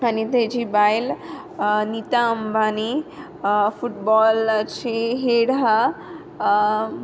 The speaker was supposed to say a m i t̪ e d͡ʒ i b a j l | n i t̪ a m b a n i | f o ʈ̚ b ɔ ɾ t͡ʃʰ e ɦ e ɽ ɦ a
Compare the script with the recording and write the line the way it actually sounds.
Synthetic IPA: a n i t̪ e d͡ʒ i b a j l | n i t̪ a m b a n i | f u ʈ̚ b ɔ l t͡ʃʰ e ɦ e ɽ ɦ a